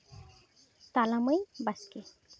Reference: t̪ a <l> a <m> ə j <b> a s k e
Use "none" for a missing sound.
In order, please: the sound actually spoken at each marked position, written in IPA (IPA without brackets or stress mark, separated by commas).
l, m, b